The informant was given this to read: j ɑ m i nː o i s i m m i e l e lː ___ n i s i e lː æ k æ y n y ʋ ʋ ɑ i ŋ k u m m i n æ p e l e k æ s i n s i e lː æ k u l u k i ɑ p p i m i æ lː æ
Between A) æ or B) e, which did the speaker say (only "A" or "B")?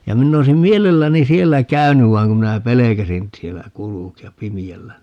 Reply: A